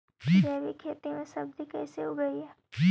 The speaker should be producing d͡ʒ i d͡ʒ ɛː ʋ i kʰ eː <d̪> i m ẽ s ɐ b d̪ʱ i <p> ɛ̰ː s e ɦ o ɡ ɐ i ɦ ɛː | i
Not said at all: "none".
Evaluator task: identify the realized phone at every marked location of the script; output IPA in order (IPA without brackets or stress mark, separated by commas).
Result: t̪, k